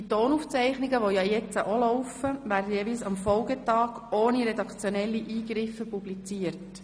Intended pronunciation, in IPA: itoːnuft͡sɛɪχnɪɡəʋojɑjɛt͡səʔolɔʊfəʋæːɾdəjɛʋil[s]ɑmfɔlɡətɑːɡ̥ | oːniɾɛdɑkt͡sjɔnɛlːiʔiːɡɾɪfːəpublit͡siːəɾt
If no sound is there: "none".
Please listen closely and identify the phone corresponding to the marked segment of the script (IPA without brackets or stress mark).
s